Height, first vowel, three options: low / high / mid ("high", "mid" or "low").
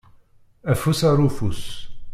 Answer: low